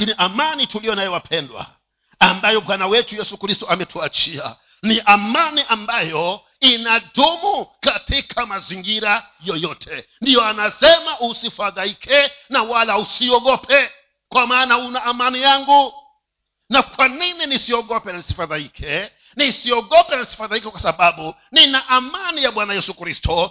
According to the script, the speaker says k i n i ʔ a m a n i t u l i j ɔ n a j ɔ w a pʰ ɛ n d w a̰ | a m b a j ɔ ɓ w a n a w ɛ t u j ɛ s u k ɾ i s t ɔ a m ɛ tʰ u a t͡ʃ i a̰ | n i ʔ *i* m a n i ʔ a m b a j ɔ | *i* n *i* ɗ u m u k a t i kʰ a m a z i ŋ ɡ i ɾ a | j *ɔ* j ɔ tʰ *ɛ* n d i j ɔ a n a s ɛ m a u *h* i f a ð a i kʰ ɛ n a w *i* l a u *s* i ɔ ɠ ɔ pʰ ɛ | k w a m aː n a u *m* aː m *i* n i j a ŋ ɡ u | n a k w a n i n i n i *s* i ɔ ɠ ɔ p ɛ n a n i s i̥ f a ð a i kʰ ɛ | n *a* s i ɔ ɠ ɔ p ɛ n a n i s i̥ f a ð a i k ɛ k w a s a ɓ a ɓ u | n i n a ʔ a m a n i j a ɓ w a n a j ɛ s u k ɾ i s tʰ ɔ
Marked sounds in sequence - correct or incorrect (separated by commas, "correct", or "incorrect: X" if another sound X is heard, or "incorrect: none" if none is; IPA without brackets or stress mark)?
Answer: incorrect: a, correct, incorrect: a, correct, correct, incorrect: s, incorrect: a, correct, incorrect: n, incorrect: a, correct, incorrect: i